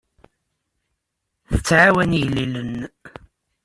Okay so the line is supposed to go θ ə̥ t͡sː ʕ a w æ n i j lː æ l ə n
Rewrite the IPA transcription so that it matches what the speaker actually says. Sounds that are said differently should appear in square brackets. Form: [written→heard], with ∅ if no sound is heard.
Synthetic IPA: θ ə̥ t͡sː ʕ a w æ n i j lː [æ→i] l ə n